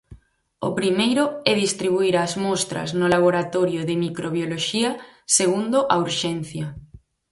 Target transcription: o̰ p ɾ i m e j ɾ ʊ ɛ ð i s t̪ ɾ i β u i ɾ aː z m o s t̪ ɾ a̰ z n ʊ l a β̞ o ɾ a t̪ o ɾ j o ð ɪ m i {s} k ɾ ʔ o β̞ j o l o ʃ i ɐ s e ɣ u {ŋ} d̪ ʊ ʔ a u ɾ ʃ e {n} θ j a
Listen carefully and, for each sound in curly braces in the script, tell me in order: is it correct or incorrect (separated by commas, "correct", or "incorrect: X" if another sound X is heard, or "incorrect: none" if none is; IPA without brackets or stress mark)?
incorrect: none, incorrect: n, correct